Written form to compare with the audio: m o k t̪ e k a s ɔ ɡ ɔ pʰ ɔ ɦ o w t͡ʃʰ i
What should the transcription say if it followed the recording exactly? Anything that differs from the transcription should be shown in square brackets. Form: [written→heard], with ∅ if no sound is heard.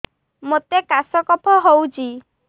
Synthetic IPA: m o [k→∅] t̪ e k a s ɔ [ɡ→k] ɔ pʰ ɔ ɦ o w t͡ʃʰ i